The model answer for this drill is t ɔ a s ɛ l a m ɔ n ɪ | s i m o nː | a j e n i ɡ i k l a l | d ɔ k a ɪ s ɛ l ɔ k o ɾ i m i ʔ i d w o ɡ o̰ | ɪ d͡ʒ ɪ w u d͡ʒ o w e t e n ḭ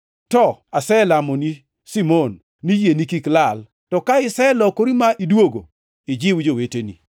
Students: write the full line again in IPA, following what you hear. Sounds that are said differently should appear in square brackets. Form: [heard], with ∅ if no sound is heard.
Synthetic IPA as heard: t ɔ a s ɛ l a m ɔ n [i] | s i m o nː | [i] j e n i [k] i k l a l | [t] ɔ k a ɪ s ɛ l ɔ k o ɾ i m [a] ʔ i d w o ɡ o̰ | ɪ d͡ʒ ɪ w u d͡ʒ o w e t e n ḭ